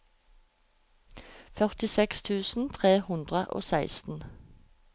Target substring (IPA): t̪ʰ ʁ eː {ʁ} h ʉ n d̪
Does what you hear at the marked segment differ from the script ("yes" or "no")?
yes